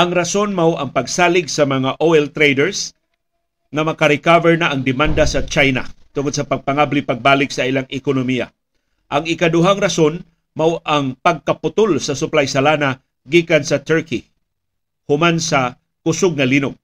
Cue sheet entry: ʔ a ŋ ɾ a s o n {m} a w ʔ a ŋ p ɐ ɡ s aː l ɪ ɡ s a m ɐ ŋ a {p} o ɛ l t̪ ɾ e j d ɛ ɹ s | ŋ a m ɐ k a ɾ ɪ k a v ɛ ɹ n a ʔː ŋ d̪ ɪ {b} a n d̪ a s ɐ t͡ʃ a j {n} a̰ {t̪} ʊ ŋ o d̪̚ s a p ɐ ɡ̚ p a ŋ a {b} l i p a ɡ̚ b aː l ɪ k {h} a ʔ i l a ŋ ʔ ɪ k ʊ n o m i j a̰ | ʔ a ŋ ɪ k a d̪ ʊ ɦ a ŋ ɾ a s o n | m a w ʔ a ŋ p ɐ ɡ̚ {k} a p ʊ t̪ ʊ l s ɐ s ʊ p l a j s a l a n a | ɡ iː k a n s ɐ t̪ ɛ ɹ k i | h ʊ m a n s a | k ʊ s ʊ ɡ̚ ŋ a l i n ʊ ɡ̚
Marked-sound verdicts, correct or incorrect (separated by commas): correct, incorrect, incorrect, correct, correct, correct, incorrect, correct